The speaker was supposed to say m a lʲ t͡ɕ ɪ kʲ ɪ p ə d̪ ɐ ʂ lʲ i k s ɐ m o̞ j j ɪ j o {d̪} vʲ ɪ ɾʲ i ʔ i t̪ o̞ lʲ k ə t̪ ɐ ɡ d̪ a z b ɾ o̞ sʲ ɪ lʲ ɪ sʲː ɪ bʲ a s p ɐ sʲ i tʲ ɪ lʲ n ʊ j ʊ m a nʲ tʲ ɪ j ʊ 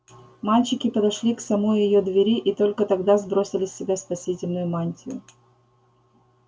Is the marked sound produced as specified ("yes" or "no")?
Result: yes